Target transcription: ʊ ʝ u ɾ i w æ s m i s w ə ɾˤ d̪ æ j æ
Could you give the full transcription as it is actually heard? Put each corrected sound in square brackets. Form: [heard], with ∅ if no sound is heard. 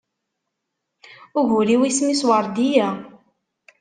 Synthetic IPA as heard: ʊ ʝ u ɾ i w [i] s m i s w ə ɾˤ d̪ [i] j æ